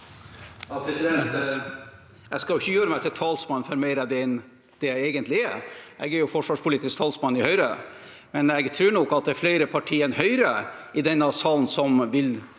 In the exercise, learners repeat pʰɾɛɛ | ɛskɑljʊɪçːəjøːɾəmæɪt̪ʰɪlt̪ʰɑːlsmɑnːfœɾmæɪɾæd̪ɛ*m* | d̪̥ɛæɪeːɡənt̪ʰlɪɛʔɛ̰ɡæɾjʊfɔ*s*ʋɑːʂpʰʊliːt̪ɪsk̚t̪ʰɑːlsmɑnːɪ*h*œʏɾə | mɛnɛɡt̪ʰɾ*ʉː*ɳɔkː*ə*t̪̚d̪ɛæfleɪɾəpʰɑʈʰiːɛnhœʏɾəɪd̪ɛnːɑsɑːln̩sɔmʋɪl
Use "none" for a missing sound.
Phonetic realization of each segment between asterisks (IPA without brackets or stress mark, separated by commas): n, ʂ, h, ʉː, ɑ